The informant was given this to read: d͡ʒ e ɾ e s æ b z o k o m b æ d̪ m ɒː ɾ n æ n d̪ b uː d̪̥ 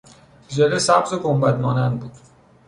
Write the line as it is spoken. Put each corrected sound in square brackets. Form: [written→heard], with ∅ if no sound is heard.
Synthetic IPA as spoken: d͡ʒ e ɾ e s æ b z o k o m b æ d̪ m ɒː [ɾ→∅] n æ n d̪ b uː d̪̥